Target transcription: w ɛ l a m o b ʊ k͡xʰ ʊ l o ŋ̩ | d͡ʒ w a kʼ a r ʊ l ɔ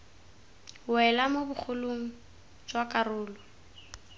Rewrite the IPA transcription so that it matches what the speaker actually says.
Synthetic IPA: w ɛ l a m o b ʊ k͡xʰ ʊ l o ŋ̩ | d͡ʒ w a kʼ a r ʊː l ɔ

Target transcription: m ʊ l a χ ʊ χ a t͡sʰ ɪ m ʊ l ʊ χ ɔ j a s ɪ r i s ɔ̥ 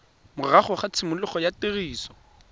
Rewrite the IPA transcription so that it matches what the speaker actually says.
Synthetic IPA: m ʊ r a χ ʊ χ a t͡sʰ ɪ m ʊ l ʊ χ ɔ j a t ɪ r iː s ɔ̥

